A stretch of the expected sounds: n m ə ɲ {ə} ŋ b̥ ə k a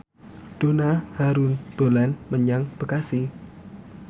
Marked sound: incorrect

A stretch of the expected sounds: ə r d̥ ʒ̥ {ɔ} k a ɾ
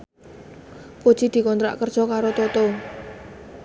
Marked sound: correct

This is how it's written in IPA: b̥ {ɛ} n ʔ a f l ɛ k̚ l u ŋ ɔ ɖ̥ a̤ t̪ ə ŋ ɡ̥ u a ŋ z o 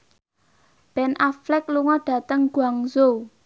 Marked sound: correct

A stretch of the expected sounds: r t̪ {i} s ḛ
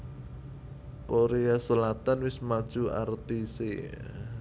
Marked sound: correct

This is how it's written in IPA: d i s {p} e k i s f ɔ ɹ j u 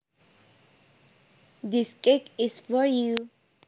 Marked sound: incorrect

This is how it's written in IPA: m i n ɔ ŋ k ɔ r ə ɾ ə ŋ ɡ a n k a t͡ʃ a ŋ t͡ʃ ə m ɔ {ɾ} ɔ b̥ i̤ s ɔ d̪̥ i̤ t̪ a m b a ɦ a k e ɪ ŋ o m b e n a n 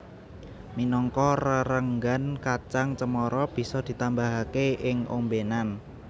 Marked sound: correct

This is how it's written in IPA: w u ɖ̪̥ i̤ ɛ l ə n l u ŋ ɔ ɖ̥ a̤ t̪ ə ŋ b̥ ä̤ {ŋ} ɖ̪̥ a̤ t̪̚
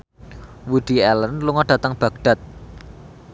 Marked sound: incorrect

